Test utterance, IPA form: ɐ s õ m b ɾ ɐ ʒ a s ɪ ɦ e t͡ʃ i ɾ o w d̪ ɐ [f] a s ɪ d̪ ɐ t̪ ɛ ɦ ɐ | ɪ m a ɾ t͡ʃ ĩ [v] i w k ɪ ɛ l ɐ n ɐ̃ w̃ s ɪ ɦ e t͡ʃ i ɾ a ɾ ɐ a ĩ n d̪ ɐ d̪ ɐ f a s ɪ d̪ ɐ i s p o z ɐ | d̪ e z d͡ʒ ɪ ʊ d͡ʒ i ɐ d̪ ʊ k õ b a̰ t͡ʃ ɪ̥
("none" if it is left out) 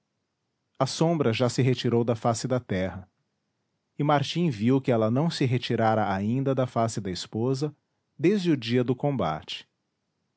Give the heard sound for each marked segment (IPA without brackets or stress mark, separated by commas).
f, v